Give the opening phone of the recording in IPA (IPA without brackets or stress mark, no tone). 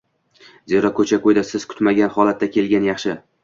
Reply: z